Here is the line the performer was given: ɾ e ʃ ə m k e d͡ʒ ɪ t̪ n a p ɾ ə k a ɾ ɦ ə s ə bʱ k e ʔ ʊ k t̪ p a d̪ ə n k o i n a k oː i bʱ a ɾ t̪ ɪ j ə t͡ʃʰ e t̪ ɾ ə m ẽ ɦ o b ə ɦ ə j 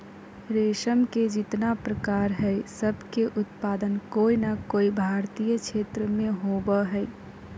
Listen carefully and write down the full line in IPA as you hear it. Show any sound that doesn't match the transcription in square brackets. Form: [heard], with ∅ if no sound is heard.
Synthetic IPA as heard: ɾ e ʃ ə m k e d͡ʒ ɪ t̪ n a p ɾ ə k a ɾ ɦ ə s ə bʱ k e ʔ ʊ [∅] t̪ p a d̪ ə n k o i n a k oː i bʱ a ɾ t̪ [i] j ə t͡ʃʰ e t̪ ɾ ə m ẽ ɦ o b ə ɦ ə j